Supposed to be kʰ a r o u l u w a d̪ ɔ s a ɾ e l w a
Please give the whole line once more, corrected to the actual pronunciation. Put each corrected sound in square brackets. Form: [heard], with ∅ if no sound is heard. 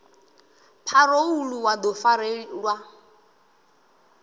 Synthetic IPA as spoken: [pʰ] a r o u l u w a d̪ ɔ [f] a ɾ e l w a